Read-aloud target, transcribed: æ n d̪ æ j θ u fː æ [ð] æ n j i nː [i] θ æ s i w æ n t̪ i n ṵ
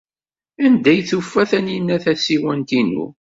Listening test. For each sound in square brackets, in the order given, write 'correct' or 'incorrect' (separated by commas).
incorrect, incorrect